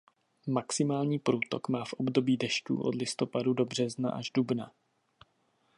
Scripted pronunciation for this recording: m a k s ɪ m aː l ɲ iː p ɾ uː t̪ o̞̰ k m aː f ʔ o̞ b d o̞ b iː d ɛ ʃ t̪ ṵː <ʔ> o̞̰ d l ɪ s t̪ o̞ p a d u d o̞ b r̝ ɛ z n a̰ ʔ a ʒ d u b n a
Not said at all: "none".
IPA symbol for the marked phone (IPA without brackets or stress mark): ʔ